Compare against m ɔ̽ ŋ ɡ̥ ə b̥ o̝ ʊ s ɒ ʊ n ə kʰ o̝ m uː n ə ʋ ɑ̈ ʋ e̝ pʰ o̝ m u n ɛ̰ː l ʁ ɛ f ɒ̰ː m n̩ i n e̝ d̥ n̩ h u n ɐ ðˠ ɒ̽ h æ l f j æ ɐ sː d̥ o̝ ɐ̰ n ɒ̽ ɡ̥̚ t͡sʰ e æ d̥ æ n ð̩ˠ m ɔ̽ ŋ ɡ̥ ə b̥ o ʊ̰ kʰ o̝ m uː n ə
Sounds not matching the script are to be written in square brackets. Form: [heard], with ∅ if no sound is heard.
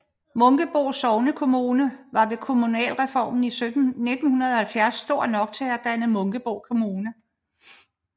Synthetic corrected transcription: m ɔ̽ ŋ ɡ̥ ə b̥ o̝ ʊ s ɒ ʊ n ə kʰ o̝ m uː n ə ʋ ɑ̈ ʋ e̝ [kʰ] o̝ m u n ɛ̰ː l ʁ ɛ f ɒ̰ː m n̩ i n e̝ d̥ n̩ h u n ɐ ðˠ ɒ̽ h æ l f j æ ɐ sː d̥ o̝ ɐ̰ n ɒ̽ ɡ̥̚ t͡sʰ e æ d̥ æ n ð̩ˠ m ɔ̽ ŋ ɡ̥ ə b̥ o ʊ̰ kʰ o̝ m uː n ə